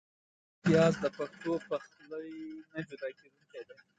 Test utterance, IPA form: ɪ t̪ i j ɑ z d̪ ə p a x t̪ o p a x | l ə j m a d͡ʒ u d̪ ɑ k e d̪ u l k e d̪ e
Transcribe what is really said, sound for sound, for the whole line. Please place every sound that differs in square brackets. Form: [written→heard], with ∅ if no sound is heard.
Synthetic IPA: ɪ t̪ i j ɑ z d̪ ə p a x t̪ o p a x | l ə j [m→n] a d͡ʒ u d̪ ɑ k e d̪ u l k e d̪ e